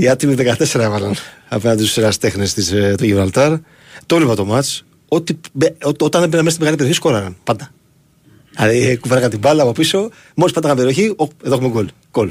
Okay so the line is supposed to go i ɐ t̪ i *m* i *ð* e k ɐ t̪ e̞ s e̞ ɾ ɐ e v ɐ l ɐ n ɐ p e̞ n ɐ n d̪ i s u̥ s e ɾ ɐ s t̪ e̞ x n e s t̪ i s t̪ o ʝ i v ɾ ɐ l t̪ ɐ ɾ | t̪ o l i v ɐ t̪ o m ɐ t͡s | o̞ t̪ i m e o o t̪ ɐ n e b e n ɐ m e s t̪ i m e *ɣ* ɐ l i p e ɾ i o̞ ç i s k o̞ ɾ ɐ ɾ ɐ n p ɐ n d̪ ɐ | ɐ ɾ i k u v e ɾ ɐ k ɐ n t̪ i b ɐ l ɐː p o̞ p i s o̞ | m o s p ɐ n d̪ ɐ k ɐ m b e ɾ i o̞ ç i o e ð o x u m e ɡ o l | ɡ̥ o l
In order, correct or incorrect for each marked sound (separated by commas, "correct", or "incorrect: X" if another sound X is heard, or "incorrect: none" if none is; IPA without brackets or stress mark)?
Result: correct, correct, correct